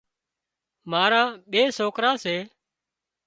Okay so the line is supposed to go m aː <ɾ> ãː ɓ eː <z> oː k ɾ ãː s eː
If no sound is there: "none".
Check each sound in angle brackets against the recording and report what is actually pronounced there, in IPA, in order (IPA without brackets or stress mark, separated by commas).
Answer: ɾ, s